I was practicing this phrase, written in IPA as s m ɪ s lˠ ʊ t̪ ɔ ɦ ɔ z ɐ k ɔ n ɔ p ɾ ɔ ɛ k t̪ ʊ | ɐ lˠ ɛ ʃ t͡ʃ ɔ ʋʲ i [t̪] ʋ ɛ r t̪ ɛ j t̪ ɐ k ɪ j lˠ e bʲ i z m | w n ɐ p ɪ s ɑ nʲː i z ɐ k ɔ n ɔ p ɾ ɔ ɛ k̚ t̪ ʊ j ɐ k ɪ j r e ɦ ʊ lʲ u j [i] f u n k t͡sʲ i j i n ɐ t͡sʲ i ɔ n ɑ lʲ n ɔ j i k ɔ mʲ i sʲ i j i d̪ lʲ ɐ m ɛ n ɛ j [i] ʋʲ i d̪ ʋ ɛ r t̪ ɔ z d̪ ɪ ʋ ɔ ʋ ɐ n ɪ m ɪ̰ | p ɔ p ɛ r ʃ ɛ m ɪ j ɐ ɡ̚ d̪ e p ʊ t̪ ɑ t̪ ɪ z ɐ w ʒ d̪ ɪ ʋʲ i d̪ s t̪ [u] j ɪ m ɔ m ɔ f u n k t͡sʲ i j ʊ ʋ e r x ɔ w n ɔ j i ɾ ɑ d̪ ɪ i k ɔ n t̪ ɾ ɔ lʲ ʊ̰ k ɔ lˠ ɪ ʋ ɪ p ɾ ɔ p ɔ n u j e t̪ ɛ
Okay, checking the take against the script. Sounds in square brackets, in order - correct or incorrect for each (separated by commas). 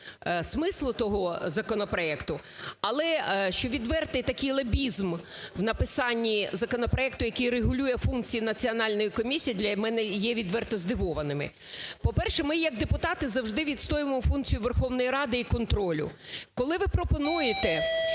incorrect, incorrect, incorrect, incorrect